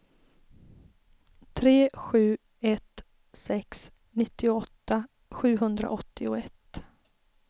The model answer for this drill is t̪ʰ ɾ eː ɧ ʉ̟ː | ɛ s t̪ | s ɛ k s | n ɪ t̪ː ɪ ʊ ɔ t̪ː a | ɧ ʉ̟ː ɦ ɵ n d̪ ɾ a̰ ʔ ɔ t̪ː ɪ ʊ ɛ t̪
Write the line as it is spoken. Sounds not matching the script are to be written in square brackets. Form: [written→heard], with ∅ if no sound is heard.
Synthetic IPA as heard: t̪ʰ ɾ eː ɧ ʉ̟ː | ɛ [s→∅] t̪ | s ɛ k s | n ɪ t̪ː ɪ ʊ ɔ t̪ː a | ɧ ʉ̟ː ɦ ɵ n d̪ ɾ a̰ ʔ ɔ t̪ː ɪ ʊ ɛ t̪